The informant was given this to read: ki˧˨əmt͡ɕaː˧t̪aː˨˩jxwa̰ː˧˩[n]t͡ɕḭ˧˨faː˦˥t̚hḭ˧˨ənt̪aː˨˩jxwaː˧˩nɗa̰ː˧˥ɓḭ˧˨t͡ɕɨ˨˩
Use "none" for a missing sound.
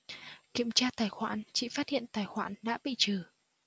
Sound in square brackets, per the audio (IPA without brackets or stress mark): n